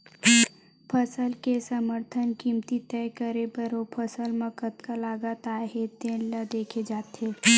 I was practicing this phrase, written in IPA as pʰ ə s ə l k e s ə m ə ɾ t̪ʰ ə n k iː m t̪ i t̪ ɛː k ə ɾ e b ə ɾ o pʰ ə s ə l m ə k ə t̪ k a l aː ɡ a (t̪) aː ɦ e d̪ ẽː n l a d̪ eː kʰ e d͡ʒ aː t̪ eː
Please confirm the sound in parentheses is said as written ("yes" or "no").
yes